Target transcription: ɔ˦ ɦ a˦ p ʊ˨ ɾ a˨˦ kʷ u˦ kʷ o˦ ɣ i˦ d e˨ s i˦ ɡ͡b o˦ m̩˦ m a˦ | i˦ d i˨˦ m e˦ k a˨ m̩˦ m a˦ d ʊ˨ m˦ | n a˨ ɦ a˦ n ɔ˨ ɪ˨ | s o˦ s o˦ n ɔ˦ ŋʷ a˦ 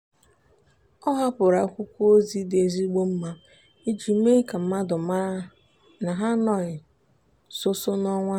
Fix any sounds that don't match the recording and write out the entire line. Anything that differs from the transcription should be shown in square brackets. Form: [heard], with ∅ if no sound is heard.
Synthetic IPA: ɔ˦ ɦ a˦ p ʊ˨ ɾ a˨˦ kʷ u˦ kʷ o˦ [z] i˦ d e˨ [z] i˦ ɡ͡b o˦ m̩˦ m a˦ | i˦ [d͡ʒ] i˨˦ m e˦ k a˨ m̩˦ m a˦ d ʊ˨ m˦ | n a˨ ɦ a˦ n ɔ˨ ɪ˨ | s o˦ s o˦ n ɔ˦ ŋʷ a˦